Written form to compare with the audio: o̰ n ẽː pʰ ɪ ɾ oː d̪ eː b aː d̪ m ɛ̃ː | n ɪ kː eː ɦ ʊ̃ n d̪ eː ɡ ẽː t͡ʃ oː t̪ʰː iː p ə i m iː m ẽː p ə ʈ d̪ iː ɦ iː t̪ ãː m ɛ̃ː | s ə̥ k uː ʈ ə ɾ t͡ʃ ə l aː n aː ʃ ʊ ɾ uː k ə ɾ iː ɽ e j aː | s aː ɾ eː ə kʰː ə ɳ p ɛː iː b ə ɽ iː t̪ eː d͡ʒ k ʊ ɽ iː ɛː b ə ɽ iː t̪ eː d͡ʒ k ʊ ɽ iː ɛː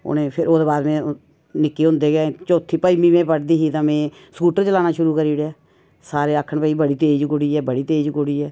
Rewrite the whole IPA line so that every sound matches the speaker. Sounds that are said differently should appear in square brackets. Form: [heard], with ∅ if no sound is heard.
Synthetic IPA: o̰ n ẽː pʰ ɪ ɾ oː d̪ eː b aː d̪ m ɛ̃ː | n ɪ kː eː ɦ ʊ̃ n d̪ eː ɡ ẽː t͡ʃ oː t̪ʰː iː p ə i m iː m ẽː p ə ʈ d̪ iː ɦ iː t̪ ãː m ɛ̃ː | s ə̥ k uː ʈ ə ɾ t͡ʃ ə l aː n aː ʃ ʊ ɾ uː k ə ɾ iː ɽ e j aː | s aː ɾ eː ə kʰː ə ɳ p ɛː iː b ə ɽ iː t̪ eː d͡ʒ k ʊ ɽ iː ɛː b ə ɽ iː t̪ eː d͡ʒ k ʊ ɽ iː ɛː